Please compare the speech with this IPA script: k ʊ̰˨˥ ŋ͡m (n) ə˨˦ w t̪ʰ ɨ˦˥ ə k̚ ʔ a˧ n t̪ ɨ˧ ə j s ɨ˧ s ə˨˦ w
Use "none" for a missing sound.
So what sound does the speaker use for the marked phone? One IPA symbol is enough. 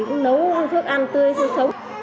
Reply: n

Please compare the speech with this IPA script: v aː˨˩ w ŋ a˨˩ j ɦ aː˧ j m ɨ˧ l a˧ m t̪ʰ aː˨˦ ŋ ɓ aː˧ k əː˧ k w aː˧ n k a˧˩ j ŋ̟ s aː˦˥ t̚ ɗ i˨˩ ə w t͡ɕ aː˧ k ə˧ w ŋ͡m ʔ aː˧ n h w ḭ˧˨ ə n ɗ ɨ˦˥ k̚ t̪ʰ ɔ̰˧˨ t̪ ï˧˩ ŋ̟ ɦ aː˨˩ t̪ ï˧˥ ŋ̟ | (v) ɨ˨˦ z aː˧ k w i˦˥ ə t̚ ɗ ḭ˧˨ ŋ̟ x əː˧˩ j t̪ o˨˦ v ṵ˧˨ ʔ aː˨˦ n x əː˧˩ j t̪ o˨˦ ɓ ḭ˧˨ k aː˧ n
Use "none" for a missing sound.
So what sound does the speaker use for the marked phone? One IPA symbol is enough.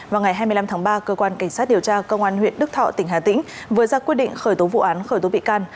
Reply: v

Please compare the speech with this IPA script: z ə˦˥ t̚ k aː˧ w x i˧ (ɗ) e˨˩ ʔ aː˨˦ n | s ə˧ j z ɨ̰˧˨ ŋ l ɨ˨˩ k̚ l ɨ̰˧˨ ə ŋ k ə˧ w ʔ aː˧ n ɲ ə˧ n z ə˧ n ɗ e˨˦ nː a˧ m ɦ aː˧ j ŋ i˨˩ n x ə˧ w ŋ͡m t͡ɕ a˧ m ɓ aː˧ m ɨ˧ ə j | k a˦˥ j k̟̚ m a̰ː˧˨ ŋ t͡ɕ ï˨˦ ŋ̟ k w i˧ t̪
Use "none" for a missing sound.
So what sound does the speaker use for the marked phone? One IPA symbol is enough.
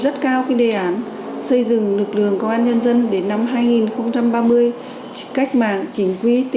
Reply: ɗ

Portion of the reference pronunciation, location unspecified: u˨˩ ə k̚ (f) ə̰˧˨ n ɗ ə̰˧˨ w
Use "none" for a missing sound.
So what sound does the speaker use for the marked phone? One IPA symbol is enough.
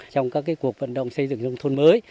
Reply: v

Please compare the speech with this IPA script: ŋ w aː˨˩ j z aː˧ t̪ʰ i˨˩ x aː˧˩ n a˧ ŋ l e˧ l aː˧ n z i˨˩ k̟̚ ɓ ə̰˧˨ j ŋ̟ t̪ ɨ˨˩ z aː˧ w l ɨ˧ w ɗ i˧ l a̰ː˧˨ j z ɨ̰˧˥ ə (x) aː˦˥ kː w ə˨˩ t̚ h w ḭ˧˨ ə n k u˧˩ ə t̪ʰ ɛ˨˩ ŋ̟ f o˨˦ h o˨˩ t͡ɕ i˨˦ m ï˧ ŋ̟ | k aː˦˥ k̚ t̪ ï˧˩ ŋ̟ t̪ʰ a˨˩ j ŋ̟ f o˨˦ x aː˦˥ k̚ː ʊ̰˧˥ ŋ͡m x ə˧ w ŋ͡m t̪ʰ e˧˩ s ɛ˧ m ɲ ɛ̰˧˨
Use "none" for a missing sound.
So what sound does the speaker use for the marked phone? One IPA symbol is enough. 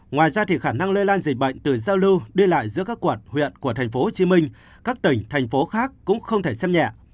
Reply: k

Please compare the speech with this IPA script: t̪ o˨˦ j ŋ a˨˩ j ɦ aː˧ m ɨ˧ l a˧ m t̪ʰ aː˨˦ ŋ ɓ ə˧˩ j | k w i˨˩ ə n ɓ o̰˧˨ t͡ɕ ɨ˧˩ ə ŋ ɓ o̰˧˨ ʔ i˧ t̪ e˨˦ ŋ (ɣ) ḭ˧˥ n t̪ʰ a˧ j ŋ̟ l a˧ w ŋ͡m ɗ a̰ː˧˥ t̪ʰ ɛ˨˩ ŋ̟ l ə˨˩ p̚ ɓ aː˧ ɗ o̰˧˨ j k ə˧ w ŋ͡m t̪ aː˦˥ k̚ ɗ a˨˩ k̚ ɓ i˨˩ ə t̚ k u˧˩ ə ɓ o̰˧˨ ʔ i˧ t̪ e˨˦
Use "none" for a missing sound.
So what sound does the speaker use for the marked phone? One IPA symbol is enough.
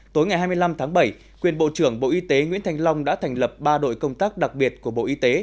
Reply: w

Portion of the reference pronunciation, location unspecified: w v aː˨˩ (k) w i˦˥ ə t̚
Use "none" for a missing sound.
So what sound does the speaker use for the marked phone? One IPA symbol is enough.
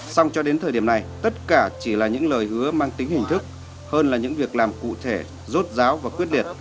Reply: k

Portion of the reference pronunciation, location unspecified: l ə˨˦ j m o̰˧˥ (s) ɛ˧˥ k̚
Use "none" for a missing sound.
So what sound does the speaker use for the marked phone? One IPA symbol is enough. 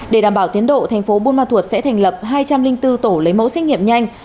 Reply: s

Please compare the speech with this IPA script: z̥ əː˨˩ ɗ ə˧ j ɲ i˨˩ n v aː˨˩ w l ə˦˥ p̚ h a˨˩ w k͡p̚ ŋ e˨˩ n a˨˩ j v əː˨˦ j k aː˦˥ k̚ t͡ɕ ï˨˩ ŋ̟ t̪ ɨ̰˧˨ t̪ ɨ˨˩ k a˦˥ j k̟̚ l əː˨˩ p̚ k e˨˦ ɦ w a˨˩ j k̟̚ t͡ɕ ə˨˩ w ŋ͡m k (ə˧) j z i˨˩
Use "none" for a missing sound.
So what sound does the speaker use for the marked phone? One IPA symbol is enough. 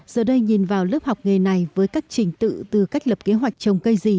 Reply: ə˧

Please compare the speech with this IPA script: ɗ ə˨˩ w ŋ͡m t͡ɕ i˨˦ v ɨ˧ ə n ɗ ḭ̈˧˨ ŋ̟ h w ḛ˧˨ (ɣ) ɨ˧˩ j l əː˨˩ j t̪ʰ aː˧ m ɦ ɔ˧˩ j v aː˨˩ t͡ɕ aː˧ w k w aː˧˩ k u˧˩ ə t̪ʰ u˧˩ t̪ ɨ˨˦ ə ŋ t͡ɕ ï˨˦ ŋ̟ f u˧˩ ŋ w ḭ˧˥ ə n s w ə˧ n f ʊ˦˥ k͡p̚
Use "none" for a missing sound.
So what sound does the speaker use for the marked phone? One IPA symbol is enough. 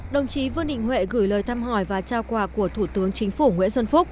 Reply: ɣ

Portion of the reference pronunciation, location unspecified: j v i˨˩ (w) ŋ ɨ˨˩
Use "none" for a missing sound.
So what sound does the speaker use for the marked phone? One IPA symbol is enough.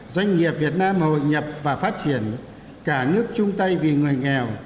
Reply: none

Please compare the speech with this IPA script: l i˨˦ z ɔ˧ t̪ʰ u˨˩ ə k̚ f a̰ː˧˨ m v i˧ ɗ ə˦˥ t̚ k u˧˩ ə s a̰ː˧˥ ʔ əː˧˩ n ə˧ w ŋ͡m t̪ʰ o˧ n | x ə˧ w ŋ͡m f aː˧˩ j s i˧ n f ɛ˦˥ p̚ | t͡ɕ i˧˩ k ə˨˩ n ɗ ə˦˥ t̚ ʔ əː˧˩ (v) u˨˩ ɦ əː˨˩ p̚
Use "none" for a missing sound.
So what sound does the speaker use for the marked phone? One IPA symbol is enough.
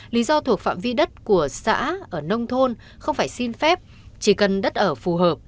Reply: f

